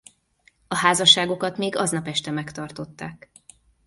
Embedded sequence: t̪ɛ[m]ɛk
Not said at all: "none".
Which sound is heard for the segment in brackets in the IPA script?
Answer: m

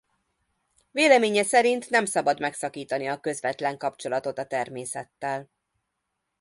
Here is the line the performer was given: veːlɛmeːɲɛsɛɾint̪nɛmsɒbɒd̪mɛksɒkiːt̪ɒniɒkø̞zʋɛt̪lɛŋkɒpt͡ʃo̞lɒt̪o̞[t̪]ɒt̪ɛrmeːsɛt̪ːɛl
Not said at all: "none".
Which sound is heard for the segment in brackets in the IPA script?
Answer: t̪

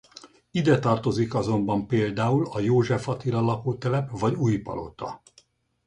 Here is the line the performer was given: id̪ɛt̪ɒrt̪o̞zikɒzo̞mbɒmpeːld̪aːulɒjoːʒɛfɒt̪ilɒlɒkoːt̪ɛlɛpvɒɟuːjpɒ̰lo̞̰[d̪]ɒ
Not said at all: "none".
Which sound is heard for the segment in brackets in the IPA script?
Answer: t̪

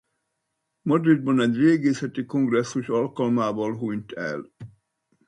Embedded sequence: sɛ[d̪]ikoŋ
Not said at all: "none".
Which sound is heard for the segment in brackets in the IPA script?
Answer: t̪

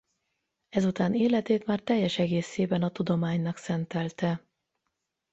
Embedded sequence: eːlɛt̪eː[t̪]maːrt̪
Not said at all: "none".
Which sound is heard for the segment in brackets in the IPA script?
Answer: t̪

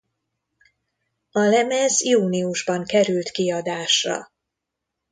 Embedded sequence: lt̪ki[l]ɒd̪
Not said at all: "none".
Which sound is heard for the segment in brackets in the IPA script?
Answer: none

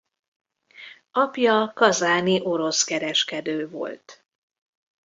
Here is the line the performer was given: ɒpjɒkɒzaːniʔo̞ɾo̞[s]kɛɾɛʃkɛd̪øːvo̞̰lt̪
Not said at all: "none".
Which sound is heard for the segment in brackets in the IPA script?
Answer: s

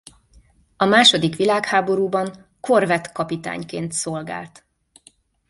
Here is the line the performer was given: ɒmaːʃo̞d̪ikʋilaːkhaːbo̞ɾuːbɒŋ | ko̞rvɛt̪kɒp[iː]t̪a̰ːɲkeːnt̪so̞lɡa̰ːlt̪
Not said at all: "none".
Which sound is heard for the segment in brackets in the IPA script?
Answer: i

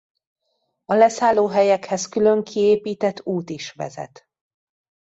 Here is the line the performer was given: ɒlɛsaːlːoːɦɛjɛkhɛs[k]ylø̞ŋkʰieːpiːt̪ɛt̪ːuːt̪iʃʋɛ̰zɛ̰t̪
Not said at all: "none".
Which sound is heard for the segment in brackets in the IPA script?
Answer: k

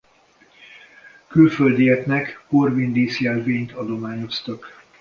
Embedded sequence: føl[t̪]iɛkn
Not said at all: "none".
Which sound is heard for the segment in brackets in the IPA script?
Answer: d̪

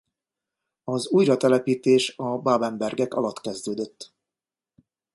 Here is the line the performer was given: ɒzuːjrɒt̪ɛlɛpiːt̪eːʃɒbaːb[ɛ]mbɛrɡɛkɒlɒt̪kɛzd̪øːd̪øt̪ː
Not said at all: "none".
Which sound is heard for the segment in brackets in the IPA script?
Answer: ɛ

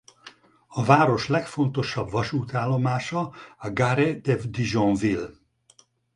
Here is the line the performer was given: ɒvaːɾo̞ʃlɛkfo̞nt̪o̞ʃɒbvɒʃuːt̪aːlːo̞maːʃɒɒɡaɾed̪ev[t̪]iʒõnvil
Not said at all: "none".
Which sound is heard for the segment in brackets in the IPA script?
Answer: d̪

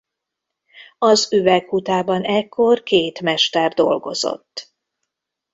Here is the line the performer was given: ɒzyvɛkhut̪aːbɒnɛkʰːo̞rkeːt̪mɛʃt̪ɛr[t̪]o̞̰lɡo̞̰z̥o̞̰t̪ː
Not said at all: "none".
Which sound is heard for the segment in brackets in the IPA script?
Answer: d̪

